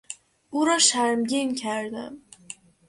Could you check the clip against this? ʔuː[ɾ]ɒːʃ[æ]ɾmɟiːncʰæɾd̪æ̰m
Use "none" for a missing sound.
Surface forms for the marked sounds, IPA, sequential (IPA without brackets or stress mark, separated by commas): ɾ, æ